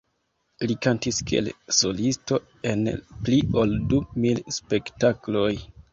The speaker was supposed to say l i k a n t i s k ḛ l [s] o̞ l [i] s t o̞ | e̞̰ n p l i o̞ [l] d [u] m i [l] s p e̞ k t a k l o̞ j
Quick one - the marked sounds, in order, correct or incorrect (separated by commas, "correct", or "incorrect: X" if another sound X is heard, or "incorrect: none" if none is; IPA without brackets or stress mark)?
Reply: correct, correct, correct, correct, correct